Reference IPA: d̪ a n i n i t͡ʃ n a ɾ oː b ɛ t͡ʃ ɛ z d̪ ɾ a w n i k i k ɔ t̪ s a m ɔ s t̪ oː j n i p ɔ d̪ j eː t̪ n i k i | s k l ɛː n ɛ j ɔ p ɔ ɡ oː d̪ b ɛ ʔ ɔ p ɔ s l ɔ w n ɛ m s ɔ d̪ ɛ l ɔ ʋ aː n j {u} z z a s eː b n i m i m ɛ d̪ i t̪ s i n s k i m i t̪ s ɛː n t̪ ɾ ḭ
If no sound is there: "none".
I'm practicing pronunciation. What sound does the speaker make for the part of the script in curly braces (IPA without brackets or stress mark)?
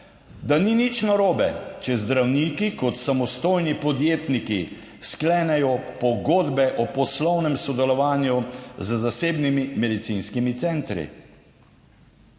u